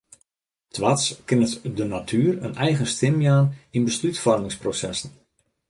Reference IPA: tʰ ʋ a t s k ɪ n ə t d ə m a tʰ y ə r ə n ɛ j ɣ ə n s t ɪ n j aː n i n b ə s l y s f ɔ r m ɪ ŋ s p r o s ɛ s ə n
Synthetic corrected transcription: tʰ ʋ a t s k ɪ n ə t d ə n a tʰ y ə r ə n ɛ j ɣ ə n s t ɪ m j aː n i n b ə s l y t f ɔ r m ɪ ŋ s p r o s ɛ s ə n